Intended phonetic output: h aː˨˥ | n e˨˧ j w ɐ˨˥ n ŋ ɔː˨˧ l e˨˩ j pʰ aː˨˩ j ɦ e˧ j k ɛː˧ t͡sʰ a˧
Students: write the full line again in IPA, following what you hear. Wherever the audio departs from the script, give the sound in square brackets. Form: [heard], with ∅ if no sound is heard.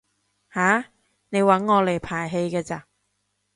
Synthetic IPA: h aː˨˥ | n e˨˧ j w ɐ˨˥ n ŋ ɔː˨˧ l e˨˩ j pʰ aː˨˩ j ɦ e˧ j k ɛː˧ [t͡s] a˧